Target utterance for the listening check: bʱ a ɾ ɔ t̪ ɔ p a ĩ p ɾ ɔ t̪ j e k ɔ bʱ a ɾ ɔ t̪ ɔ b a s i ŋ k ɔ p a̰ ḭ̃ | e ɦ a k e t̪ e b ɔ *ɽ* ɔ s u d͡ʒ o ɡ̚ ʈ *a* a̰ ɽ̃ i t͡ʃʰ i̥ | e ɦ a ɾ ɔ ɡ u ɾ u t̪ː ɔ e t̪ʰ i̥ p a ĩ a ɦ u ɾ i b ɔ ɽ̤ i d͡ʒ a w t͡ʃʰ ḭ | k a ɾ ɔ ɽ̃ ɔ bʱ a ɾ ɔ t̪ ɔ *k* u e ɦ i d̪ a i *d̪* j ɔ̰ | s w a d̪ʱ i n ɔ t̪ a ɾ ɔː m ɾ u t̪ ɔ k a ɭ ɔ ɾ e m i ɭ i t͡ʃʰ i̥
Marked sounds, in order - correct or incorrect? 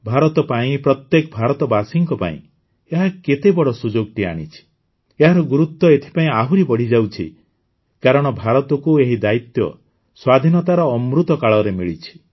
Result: correct, incorrect: i, correct, incorrect: t̪

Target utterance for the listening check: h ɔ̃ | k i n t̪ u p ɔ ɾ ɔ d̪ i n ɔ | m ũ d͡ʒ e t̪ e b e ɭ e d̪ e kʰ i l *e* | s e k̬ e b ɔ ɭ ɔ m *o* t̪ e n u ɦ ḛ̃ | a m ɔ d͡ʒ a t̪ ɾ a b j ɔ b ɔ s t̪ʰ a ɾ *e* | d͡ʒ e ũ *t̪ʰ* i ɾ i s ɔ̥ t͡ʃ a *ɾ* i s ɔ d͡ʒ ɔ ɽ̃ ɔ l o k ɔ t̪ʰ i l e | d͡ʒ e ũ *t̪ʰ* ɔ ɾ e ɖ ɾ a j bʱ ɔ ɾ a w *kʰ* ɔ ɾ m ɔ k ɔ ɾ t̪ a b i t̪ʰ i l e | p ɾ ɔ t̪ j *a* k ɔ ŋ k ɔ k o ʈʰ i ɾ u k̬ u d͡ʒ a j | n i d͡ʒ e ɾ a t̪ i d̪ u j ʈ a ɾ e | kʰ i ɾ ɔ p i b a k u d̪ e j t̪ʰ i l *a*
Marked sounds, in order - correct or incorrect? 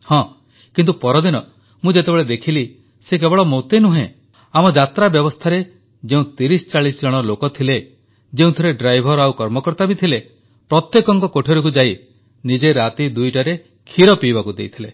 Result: incorrect: i, correct, correct, incorrect: t̪, incorrect: ɭ, correct, incorrect: k, incorrect: e, incorrect: e

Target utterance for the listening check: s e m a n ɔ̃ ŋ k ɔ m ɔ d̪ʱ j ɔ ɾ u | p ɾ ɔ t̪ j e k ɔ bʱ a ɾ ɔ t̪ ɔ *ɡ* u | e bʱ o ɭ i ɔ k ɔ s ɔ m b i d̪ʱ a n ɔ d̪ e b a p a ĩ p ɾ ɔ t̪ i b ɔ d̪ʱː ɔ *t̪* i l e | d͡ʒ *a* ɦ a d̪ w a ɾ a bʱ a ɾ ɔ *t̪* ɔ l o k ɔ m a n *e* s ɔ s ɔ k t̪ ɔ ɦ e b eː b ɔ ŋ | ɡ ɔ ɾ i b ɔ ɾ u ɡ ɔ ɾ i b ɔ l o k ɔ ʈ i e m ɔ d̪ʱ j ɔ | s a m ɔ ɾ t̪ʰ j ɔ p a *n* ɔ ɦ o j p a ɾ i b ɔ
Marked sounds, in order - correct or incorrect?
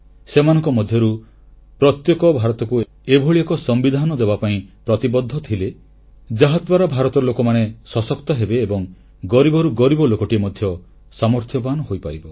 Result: incorrect: k, incorrect: t̪ʰ, correct, correct, correct, correct

